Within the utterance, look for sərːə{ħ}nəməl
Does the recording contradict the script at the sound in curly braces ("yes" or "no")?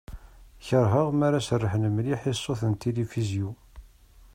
no